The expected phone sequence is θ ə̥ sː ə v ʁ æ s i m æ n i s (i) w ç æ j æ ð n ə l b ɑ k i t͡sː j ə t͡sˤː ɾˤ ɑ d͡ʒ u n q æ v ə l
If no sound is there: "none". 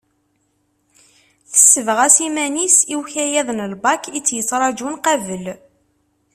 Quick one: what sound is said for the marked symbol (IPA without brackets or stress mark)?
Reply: i